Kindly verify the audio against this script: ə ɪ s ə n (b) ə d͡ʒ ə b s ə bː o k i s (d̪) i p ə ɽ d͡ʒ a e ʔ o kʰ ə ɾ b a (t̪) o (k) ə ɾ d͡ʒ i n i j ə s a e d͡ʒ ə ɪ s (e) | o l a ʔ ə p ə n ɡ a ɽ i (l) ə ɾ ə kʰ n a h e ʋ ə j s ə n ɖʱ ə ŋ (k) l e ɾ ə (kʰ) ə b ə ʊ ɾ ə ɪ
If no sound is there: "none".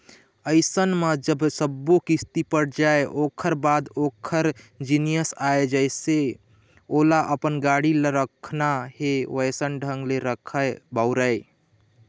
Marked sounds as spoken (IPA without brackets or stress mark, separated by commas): m, t̪, d̪, kʰ, e, l, ɡ, kʰ